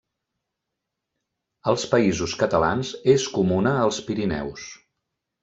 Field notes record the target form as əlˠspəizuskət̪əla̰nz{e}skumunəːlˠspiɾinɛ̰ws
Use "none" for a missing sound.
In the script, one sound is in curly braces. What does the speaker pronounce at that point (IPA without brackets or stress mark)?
e